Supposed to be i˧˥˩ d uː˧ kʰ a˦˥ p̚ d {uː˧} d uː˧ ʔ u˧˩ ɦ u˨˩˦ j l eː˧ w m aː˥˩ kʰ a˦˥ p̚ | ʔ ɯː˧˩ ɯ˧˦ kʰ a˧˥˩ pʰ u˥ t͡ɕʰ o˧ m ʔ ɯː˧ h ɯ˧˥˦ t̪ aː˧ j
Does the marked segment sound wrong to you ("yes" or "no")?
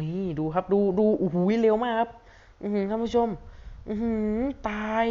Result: no